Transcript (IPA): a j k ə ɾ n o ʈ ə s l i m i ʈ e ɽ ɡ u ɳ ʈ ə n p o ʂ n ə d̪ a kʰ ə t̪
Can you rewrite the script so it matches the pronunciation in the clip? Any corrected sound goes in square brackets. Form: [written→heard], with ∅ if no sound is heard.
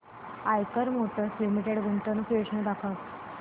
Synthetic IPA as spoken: a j k ə ɾ [n→m] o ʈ ə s l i m i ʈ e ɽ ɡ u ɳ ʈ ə n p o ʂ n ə d̪ a kʰ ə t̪